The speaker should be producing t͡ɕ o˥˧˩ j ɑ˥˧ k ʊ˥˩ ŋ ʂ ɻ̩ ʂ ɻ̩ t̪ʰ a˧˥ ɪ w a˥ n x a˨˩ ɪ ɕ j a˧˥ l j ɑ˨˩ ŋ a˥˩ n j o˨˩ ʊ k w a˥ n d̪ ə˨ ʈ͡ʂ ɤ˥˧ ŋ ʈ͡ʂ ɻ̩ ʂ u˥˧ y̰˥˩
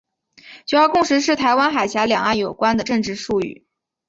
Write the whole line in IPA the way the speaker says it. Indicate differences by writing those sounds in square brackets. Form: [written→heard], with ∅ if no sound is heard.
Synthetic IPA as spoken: t͡ɕ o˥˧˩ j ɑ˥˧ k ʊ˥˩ ŋ ʂ ɻ̩ ʂ ɻ̩ t̪ʰ a˧˥ ɪ w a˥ n x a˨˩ ɪ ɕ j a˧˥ l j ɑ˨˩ ŋ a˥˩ n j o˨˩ ʊ k w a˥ n d̪ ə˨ ʈ͡ʂ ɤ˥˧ ŋ ʈ͡ʂ ɻ̩ ʂ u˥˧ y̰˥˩